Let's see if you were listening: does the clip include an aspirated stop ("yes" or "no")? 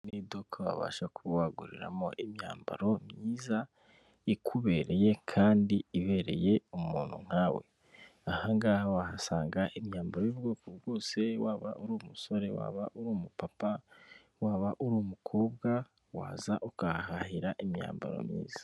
yes